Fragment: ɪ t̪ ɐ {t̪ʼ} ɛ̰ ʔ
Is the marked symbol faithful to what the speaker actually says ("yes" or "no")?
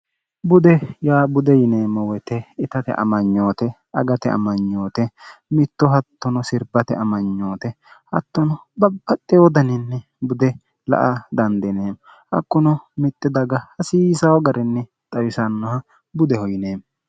no